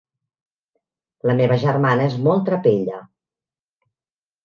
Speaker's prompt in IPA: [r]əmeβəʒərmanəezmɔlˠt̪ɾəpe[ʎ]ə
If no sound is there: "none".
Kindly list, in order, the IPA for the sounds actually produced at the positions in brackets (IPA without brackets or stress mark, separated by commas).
l, ʎ